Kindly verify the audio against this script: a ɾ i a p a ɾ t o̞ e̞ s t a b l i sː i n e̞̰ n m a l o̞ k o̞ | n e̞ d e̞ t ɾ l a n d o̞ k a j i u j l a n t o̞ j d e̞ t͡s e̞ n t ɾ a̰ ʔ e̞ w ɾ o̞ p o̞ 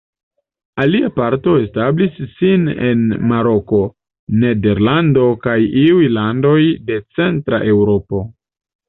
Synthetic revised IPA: a l i a p a ɾ t o̞ e̞ s t a b l i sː i n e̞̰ n m a ɾ o̞ k o̞ | n e̞ d e̞ ɾ l a n d o̞ k a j i u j l a n d o̞ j d e̞ t͡s e̞ n t ɾ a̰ ʔ e̞ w ɾ o̞ p o̞